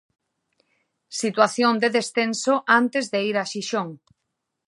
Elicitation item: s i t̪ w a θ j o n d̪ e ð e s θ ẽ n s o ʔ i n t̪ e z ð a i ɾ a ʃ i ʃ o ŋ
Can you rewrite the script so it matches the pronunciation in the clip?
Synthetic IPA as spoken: s i t̪ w a θ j o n d̪ e ð e s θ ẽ n s o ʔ a n t̪ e z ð e i ɾ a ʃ i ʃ o ŋ